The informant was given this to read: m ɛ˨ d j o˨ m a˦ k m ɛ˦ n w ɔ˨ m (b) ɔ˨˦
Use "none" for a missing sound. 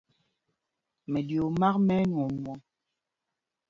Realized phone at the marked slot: w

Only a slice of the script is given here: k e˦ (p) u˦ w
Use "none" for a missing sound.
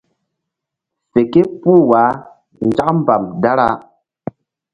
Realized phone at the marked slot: p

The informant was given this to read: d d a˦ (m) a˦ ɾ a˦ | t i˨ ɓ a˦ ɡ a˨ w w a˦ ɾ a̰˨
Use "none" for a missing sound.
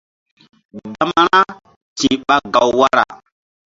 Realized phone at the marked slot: m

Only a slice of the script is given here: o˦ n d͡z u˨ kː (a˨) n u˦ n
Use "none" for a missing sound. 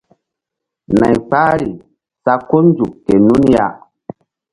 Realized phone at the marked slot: e˨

